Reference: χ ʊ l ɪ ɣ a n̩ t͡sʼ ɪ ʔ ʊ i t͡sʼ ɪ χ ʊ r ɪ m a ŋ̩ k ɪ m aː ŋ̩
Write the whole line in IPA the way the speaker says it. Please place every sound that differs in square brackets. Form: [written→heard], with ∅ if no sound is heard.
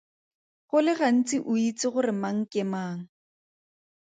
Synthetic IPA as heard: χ ʊ l ɪ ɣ a n̩ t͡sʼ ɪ ʔ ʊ i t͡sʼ ɪ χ ʊ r ɪ m a ŋ̩ k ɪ m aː ŋ̩